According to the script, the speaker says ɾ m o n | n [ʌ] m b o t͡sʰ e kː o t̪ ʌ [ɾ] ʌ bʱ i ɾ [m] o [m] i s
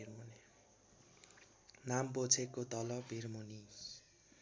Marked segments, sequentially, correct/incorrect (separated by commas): incorrect, incorrect, correct, incorrect